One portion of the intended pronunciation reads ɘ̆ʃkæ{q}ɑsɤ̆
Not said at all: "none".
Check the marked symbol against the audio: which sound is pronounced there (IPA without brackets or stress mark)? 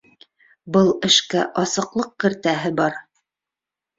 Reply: ʔ